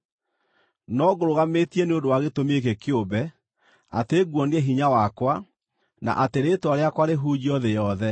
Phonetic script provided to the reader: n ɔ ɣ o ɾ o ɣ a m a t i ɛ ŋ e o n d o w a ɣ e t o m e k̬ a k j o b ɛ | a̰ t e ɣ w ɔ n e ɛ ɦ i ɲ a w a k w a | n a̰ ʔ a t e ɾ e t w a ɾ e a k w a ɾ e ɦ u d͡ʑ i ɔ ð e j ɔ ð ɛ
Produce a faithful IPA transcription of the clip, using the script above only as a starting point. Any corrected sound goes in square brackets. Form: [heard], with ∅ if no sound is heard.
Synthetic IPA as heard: n ɔ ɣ o ɾ o ɣ a m [e] t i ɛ [n] e o n d o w a ɣ e t o m e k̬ [e] k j o b ɛ | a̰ t e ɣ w ɔ n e ɛ ɦ i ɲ a w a k w a | n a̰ ʔ a t e ɾ e t w a ɾ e a k w a ɾ e ɦ u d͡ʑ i ɔ ð e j ɔ ð ɛ